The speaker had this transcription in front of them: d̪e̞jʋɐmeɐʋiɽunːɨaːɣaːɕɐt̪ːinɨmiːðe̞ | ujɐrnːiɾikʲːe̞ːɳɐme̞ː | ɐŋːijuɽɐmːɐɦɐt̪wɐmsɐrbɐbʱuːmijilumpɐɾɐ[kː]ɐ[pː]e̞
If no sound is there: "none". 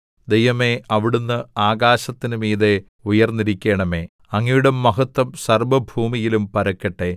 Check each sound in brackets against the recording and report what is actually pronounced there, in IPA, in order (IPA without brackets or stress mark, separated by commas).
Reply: kː, ʈː